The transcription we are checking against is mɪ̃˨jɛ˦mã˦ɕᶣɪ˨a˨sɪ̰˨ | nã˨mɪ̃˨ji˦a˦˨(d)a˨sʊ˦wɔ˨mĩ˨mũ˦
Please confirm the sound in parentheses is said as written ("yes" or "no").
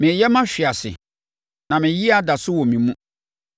yes